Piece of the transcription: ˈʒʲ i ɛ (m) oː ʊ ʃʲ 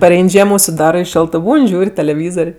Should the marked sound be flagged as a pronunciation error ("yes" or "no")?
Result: no